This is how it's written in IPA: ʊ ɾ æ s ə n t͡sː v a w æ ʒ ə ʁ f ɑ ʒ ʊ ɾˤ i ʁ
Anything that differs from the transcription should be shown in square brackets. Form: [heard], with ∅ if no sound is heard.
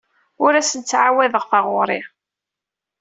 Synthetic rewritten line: ʊ ɾ æ s ə n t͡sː [ʕ] a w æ [ð] ə ʁ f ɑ [ʁ] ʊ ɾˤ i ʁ

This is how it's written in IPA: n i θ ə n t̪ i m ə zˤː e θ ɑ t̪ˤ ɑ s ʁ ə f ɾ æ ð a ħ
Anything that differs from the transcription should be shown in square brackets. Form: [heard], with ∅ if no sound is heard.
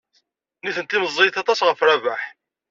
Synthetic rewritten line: n i θ ə n t̪ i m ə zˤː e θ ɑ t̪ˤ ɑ s ʁ ə f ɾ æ [v] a ħ

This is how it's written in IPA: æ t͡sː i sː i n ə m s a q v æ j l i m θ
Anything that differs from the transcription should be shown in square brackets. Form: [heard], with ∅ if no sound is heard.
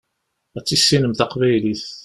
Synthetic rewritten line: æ t͡sː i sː i n ə m [θ] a q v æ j l i [∅] θ

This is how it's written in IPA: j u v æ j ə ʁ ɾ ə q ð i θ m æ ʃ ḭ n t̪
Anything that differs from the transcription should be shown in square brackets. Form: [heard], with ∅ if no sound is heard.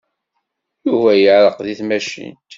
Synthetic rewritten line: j u v æ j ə [ʕ] ɾ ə q ð i θ m æ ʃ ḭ n t̪

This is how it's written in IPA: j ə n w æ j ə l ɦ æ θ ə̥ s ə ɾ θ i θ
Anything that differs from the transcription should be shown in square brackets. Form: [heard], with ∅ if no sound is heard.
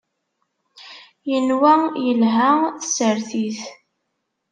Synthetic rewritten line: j ə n w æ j ə l ɦ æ θ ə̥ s ə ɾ θ i θ

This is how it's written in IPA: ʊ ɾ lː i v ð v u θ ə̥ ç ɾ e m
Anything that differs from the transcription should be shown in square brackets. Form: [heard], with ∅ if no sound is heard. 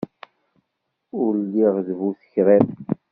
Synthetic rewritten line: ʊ ɾ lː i [ʁ] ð v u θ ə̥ ç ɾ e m

